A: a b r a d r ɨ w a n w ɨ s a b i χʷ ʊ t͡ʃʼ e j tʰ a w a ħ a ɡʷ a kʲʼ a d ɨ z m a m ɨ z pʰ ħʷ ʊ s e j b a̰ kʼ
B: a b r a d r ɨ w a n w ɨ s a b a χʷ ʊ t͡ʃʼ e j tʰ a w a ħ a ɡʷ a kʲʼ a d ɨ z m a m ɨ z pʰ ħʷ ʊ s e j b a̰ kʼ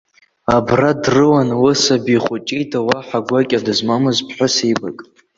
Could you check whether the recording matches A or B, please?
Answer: A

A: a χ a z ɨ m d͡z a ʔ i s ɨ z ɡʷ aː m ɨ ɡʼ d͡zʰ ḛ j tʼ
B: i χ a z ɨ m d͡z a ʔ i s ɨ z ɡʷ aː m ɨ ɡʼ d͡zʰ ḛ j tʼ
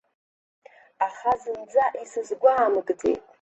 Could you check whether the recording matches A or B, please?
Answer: A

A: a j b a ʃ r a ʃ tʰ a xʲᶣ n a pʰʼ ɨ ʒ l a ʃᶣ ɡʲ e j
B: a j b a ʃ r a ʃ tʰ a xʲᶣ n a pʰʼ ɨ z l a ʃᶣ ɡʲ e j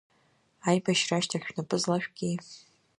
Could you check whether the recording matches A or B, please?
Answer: B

